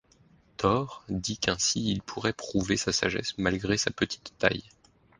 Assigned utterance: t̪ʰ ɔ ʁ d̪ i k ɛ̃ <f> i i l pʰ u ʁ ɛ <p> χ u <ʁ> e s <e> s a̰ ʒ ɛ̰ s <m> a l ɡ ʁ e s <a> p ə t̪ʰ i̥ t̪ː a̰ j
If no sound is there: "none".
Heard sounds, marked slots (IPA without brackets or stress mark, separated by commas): s, p, v, a, m, a